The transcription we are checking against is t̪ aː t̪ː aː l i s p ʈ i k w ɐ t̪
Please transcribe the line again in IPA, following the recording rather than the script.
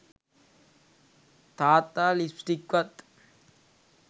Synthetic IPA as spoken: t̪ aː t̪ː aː l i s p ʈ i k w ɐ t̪